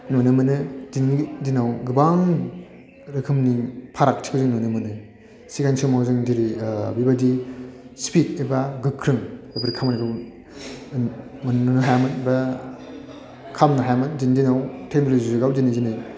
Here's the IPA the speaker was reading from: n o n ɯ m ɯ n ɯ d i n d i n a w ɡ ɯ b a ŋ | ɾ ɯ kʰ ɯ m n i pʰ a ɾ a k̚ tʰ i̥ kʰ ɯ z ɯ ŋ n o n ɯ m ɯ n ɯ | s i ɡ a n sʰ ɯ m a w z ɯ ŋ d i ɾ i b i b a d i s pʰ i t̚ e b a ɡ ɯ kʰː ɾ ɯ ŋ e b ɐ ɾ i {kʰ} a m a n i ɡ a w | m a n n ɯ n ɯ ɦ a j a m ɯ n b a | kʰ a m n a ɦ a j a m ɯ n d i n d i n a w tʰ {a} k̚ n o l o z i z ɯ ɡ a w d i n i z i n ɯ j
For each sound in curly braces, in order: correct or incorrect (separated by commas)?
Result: correct, incorrect